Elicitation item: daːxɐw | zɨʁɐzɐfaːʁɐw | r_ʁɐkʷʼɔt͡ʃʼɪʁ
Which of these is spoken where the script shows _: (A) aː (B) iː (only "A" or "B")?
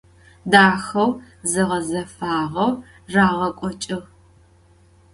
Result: A